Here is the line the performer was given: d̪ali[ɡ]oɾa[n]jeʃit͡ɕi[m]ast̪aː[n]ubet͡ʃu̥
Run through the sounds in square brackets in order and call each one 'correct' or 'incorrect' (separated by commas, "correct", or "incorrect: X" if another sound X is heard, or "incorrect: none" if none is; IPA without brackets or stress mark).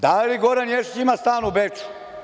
correct, correct, correct, correct